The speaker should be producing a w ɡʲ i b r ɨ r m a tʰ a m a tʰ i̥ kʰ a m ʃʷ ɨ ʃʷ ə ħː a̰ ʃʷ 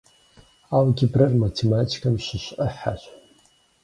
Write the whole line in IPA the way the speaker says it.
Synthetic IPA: a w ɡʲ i b r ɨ r m a tʰ e m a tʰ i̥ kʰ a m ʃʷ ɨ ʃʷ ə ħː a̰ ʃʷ